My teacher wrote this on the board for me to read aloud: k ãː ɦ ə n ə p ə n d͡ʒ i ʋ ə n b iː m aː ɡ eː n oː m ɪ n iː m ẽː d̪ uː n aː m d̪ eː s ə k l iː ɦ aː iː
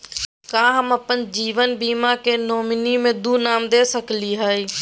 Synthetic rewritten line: k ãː ɦ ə m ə p ə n d͡ʒ iː ʋ ə n b iː m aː k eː n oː m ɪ n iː m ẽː d̪ uː n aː m d̪ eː s ə k l iː ɦ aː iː

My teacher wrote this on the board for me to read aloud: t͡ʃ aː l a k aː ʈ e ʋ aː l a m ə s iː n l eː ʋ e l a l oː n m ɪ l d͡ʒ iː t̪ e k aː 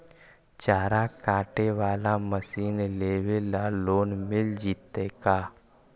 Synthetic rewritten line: t͡ʃ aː ɾ a k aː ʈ e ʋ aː l a m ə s iː n l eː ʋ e l a l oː n m ɪ l d͡ʒ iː t̪ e k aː

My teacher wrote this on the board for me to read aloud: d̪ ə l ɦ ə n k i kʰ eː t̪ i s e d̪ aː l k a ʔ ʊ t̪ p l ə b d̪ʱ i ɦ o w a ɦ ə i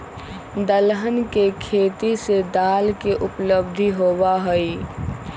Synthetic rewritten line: d̪ ə l ɦ ə n k e kʰ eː t̪ i s e d̪ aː l k e ʔ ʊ p l ə b d̪ʱ i ɦ o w a ɦ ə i

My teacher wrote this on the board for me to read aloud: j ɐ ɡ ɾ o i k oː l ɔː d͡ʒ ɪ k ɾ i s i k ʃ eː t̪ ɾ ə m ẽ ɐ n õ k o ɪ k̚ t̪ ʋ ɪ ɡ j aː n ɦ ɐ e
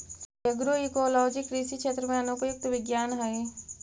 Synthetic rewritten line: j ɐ ɡ ɾ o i k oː l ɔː d͡ʒ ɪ k ɾ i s i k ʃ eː t̪ ɾ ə m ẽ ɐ n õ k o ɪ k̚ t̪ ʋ ɪ ɡ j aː n ɦ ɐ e

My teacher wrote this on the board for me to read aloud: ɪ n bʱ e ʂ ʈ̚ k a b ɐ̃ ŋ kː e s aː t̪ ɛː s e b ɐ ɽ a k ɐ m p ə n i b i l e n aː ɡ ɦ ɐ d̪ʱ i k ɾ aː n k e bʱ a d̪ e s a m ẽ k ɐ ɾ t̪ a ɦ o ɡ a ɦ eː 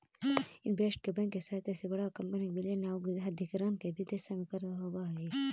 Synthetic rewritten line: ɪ n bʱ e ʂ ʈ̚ k e b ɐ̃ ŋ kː e s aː t̪ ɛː s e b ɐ ɽ a k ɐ m p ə n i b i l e n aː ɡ ɦ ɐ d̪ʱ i k ɾ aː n k e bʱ i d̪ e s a m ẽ k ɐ ɾ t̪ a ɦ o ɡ a ɦ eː

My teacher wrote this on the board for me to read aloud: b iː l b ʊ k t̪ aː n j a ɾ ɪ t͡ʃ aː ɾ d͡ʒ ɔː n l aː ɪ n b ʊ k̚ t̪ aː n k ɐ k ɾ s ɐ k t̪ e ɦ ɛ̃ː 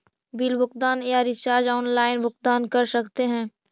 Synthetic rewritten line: b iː l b ʊ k d̪ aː n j a ɾ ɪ t͡ʃ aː ɾ d͡ʒ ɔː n l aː ɪ n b ʊ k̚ d̪ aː n k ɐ ɾ s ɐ k t̪ e ɦ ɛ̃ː

